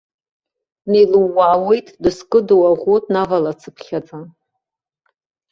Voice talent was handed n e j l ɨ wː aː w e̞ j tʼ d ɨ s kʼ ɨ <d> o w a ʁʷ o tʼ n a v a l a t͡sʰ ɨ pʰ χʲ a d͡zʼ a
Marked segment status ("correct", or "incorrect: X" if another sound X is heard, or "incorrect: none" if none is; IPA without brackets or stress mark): correct